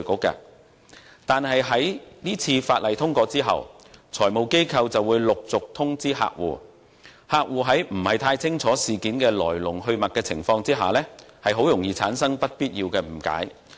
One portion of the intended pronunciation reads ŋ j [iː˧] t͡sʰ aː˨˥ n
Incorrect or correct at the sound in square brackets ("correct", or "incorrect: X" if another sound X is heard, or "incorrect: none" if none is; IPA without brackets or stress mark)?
correct